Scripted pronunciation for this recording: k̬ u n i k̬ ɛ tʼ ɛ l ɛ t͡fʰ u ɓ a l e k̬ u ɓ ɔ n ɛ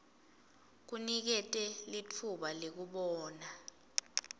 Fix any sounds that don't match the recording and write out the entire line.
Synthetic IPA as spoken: k̬ u n i k̬ ɛ tʼ ɛ l i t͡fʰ u ɓ a l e k̬ u ɓ ɔː n a